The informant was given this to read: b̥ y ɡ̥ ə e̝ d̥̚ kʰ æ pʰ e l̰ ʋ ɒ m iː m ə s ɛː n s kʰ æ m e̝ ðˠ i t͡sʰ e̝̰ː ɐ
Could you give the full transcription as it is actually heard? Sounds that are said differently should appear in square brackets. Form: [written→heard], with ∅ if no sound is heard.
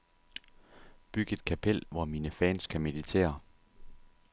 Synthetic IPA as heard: b̥ y ɡ̥ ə e̝ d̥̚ kʰ æ pʰ e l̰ ʋ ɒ m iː [m→n] ə [s→f] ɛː n s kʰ æ m e̝ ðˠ i t͡sʰ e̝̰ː ɐ